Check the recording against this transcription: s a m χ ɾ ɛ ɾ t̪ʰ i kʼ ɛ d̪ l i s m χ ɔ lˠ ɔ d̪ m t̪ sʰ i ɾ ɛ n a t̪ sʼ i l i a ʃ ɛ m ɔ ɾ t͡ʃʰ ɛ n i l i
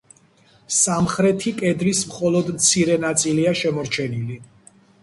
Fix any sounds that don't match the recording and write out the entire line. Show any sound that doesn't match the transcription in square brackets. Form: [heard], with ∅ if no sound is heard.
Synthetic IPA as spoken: s a m χ ɾ ɛ [∅] t̪ʰ i kʼ ɛ d̪ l i s m χ ɔ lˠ ɔ d̪ m t̪ sʰ i ɾ ɛ n a t̪ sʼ i l i a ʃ ɛ m ɔ ɾ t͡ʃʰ ɛ n i l i